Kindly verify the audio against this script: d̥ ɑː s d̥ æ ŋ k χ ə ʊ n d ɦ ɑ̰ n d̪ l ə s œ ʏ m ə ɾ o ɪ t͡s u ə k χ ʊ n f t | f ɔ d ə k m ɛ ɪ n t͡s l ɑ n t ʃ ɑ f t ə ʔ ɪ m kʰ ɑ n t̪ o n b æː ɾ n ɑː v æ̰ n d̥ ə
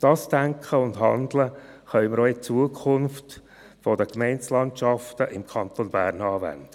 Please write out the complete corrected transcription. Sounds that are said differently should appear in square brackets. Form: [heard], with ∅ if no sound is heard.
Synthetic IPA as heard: d̥ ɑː s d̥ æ ŋ k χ ə ʊ n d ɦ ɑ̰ n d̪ l ə [χ] œ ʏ m ə ɾ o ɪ t͡s u ə k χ ʊ n f t | f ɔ d ə k m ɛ ɪ n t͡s l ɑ n t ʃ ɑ f t ə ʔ ɪ m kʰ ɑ n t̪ o n b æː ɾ n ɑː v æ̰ n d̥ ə